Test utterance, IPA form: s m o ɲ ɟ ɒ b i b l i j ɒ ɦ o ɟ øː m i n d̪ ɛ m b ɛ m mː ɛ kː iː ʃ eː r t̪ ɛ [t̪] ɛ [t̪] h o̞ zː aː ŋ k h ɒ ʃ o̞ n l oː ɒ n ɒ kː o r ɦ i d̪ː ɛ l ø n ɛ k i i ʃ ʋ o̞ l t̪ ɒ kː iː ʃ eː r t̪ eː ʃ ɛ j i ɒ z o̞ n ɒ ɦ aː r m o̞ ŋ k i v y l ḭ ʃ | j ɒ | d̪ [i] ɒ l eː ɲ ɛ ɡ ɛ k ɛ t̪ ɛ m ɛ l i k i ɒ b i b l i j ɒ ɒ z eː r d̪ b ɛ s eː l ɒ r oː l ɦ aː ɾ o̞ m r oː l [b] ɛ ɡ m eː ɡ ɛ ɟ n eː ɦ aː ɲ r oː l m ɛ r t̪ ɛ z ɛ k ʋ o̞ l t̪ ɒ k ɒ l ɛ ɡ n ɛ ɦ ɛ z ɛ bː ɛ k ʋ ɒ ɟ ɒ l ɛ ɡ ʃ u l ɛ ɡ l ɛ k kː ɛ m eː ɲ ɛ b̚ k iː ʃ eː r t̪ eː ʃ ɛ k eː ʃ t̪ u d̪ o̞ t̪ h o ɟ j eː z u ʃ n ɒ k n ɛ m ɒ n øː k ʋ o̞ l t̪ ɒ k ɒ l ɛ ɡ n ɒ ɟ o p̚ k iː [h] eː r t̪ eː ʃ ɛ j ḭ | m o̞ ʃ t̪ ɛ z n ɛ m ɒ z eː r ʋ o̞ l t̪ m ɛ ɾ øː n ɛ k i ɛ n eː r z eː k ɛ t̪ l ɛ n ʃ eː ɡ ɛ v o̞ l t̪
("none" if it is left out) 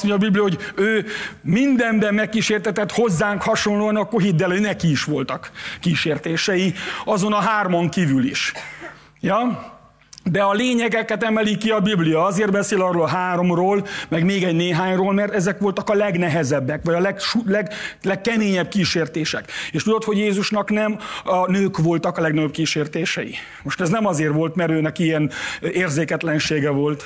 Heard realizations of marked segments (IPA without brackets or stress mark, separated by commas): t̪, t̪, ɛ, m, ʃ